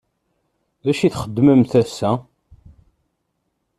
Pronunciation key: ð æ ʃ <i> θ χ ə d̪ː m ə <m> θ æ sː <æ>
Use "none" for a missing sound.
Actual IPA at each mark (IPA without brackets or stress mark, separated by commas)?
i, m, æ